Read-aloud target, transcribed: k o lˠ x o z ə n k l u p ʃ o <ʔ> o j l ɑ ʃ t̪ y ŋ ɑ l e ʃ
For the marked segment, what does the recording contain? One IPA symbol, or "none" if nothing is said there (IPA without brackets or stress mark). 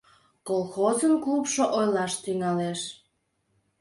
ʔ